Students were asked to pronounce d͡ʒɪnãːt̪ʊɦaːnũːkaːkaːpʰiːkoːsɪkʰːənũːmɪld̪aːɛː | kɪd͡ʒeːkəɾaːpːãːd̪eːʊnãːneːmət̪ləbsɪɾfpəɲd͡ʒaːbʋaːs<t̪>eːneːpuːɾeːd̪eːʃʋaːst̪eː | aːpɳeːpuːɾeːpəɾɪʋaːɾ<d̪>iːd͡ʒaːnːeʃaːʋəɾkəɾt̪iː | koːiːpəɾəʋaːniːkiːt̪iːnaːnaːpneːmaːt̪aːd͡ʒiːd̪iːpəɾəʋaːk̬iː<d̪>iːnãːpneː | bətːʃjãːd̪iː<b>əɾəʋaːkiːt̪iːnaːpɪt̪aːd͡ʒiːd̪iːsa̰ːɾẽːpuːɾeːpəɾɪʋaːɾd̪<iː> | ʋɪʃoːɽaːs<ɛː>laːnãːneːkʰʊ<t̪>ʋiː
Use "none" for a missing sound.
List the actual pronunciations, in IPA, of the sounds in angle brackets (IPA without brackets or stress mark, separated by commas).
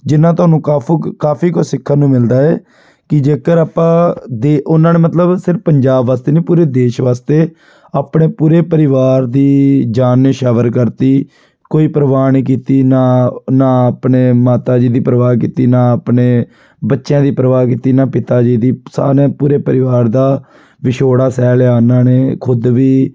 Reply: t̪, d̪, t̪, p, aː, ɛː, d̪